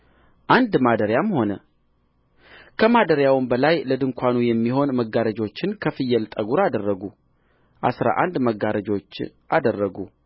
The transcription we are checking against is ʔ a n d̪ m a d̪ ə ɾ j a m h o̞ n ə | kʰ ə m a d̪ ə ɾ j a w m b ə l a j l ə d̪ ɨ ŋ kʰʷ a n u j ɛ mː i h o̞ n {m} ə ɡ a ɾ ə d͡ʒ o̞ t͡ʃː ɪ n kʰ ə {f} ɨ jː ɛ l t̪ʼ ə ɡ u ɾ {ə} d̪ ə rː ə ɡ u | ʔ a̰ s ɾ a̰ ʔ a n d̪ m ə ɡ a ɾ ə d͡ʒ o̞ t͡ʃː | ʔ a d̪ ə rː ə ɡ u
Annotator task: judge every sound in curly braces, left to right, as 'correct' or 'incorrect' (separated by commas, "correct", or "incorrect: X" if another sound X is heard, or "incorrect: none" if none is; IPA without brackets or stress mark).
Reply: correct, correct, incorrect: a